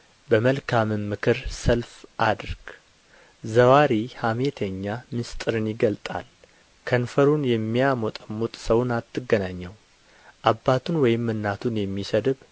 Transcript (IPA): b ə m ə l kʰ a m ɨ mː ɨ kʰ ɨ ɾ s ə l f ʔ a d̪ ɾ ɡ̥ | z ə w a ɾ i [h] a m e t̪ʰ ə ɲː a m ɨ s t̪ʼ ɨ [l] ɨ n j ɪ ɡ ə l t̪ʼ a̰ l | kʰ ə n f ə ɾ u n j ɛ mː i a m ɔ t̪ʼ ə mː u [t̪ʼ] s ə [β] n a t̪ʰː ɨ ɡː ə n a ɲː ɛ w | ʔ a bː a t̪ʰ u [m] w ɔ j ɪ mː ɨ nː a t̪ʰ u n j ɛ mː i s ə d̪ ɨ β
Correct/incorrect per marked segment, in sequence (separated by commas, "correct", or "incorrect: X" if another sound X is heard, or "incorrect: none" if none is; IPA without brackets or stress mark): correct, incorrect: ɾ, correct, incorrect: w, incorrect: n